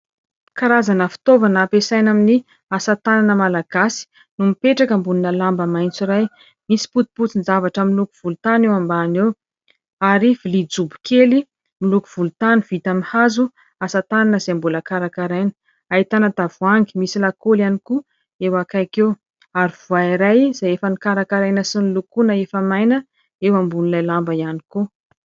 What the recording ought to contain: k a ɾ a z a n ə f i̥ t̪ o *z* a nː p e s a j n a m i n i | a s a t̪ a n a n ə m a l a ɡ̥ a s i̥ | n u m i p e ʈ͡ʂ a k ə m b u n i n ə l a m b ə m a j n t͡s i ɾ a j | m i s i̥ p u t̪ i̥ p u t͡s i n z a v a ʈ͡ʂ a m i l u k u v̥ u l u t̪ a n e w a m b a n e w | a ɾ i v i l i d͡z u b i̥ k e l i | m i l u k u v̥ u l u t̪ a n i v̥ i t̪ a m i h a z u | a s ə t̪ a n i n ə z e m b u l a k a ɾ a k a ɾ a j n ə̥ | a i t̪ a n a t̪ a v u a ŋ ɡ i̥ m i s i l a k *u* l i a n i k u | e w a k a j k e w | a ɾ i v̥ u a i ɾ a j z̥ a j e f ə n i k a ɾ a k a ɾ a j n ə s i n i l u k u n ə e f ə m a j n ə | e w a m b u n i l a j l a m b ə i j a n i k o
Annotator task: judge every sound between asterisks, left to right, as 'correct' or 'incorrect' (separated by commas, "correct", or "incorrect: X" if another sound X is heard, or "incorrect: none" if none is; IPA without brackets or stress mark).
incorrect: v, incorrect: o